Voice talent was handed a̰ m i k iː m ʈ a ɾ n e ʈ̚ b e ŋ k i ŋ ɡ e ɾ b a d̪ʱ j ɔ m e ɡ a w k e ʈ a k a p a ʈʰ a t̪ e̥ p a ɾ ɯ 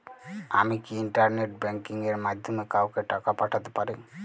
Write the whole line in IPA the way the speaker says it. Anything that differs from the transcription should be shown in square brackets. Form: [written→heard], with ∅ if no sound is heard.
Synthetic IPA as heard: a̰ m i k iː [m→ɳ] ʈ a ɾ n e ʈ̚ b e ŋ k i ŋ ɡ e ɾ [b→m] a d̪ʱ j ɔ m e [ɡ→k] a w k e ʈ a k a p a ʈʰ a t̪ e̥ p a ɾ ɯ